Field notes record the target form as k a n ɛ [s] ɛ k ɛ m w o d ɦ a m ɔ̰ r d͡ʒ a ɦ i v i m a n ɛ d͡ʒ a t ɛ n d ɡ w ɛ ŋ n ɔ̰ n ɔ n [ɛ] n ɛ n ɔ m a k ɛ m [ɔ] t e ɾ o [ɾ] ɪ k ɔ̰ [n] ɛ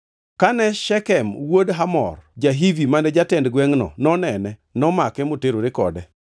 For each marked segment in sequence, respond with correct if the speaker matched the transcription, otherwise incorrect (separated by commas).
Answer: incorrect, correct, incorrect, correct, incorrect